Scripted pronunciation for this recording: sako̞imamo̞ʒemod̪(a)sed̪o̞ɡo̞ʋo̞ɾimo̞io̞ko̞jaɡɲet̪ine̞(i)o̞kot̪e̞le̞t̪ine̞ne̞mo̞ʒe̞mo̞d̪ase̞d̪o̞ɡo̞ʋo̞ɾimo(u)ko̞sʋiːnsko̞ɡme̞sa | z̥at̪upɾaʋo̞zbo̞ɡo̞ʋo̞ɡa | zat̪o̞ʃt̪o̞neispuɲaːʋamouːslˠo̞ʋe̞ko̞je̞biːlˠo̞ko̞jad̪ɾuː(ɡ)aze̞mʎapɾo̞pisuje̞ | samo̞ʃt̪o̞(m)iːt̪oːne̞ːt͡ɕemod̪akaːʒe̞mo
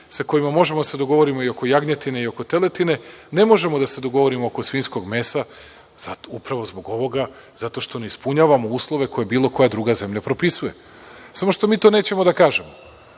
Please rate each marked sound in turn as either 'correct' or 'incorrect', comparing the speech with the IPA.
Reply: correct, correct, incorrect: o, correct, correct

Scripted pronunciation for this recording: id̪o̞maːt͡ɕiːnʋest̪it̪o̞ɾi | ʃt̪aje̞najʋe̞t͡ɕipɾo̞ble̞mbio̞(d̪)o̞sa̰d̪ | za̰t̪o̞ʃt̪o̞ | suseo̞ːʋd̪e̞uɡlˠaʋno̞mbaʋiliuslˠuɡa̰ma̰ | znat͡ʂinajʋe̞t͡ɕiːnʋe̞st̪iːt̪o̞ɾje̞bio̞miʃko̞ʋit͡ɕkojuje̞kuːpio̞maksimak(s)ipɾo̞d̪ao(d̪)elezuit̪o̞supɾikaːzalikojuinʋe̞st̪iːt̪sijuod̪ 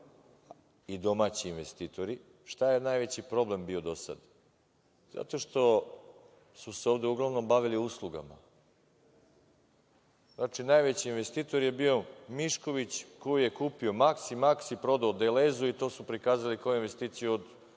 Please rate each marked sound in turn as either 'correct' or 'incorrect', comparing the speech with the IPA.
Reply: correct, correct, correct

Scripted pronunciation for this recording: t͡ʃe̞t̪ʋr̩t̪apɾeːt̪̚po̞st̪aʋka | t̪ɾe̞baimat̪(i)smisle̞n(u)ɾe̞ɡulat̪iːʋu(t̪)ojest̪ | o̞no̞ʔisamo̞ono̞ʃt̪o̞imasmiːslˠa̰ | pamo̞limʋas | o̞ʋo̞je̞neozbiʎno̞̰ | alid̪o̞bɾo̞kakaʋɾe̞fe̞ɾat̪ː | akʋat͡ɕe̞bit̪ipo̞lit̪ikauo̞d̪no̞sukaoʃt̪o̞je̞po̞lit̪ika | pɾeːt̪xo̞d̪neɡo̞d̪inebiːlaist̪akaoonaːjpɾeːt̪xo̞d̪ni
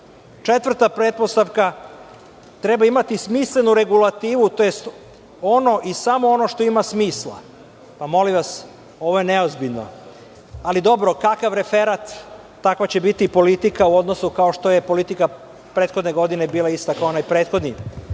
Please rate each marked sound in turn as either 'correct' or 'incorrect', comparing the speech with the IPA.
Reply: correct, correct, correct

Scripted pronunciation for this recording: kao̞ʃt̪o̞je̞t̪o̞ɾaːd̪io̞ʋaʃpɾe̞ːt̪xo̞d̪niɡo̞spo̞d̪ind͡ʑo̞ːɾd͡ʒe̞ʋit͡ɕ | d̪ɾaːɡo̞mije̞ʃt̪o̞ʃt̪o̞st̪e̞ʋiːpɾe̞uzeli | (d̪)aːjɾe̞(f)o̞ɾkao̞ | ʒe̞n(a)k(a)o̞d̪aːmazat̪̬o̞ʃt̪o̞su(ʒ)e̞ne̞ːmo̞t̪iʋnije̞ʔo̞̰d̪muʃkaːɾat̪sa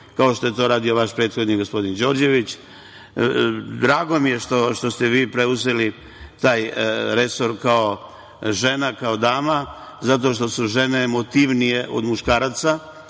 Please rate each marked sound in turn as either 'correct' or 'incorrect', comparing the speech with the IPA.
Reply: incorrect: t̪, incorrect: s, correct, correct, correct

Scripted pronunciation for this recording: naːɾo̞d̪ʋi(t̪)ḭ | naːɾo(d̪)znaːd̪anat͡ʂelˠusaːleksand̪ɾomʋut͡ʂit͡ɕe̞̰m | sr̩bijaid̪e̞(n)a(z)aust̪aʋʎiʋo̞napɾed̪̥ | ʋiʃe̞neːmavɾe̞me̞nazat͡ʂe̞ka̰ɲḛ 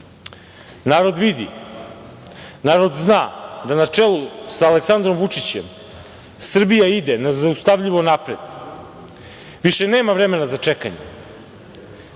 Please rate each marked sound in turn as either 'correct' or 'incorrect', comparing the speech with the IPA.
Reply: incorrect: d̪, correct, correct, correct

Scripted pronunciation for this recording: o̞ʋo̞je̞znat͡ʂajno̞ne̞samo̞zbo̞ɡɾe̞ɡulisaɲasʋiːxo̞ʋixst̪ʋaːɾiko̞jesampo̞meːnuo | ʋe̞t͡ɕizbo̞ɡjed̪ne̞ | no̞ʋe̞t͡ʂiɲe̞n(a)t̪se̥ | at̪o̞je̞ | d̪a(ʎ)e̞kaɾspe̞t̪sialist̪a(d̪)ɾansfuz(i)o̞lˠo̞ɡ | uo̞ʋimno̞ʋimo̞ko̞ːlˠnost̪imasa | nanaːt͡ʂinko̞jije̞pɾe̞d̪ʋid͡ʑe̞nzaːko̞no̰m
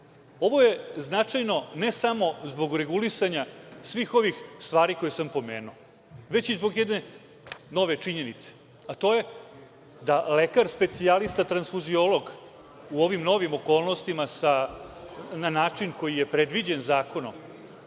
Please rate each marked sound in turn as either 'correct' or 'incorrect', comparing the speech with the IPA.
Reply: incorrect: i, incorrect: l, incorrect: t̪, correct

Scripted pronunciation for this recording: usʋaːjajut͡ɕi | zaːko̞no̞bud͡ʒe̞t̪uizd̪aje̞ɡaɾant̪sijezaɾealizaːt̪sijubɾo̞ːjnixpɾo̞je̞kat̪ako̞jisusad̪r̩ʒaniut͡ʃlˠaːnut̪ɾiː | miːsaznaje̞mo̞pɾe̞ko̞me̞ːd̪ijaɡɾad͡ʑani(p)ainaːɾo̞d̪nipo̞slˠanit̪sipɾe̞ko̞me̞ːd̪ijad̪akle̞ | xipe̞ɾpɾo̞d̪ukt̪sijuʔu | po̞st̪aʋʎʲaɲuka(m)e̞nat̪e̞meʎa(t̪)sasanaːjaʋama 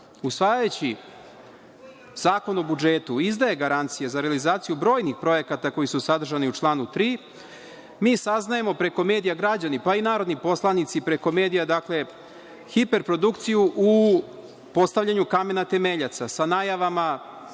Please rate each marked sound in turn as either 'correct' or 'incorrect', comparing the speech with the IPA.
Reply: correct, correct, correct

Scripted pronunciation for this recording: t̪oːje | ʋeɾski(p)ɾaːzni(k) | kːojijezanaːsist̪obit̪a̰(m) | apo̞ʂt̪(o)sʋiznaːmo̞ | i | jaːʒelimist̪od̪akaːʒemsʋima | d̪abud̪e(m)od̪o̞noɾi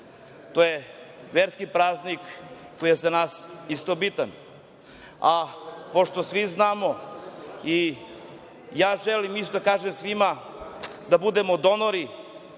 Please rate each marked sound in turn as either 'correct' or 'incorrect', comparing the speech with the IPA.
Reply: correct, correct, incorrect: n, correct, correct

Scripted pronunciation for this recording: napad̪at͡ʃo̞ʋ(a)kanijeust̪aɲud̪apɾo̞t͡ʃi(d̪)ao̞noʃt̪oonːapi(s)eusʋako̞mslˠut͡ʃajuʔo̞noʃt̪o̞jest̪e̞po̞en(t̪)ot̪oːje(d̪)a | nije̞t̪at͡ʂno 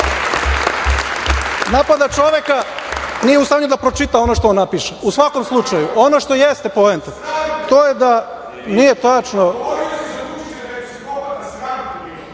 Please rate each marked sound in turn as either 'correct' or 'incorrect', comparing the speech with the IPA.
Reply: incorrect: e, incorrect: t̪, incorrect: ʃ, correct, correct

